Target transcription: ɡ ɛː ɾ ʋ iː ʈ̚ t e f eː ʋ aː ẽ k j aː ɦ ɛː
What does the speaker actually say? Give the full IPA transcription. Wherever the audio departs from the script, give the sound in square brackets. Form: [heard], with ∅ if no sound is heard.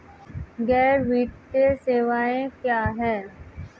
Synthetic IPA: ɡ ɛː ɾ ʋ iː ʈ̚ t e [s] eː ʋ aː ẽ k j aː ɦ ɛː